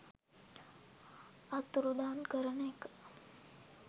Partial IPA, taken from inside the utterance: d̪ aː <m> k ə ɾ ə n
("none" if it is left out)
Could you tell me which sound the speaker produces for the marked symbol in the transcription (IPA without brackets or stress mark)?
n